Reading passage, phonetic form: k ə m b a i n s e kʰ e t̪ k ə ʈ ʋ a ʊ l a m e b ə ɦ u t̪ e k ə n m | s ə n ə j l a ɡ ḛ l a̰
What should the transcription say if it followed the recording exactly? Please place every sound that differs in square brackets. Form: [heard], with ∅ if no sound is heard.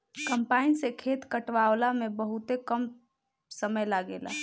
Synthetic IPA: k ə m [p] a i n s e kʰ e t̪ k ə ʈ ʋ a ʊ l a m e b ə ɦ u t̪ e k ə [∅] m | s ə [m] ə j l a ɡ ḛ l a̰